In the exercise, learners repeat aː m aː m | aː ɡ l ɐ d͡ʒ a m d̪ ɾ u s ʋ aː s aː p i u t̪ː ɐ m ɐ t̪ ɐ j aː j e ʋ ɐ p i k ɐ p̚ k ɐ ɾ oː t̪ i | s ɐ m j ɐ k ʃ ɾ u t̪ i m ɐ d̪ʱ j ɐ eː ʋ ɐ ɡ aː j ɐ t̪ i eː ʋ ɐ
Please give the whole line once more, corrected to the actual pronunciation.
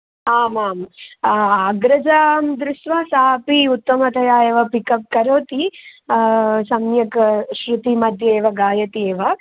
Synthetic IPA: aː m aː m | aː ɡ ɾ ɐ d͡ʒ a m d̪ ɾ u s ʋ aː s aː p i u t̪ː ɐ m ɐ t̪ ɐ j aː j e ʋ ɐ p i k ɐ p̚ k ɐ ɾ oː t̪ i | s ɐ m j ɐ k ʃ ɾ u t̪ i m ɐ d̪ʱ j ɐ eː ʋ ɐ ɡ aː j ɐ t̪ i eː ʋ ɐ